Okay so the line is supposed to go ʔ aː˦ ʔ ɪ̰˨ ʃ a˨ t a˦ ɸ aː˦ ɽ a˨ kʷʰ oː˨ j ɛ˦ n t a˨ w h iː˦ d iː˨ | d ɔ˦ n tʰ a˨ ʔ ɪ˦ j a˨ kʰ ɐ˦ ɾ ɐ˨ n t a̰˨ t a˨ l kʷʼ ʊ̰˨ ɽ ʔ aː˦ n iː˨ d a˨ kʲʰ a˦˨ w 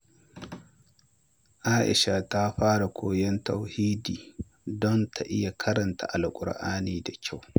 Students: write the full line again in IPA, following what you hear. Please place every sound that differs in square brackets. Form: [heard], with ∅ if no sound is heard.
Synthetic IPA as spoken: ʔ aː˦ ʔ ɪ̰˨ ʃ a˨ t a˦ ɸ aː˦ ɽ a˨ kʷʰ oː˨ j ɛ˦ n t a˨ w h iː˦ d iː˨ | d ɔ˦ n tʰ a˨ ʔ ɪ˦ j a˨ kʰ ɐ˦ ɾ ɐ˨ n t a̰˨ [ʔ] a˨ l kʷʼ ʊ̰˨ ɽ ʔ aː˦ n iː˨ d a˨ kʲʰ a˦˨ w